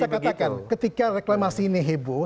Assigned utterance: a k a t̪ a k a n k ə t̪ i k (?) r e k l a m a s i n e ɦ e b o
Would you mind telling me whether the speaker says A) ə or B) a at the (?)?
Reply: B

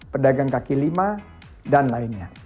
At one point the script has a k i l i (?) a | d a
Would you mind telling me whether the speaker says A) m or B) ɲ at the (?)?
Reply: A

